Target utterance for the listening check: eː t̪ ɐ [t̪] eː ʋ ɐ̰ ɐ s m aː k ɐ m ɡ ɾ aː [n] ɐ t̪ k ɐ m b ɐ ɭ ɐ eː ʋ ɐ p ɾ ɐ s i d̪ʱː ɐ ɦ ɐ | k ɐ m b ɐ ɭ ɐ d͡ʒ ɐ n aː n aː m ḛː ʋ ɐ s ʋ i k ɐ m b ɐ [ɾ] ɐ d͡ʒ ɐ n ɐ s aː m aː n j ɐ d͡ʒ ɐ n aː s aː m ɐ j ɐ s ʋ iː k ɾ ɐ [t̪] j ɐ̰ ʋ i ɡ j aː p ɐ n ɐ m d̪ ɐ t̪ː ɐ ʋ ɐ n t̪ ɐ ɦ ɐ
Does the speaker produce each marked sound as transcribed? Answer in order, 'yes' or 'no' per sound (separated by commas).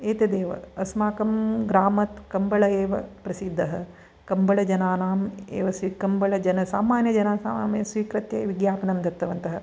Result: no, no, no, yes